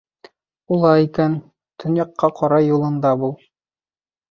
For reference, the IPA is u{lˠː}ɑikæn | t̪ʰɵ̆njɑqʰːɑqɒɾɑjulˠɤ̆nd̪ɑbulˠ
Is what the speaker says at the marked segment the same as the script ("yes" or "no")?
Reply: no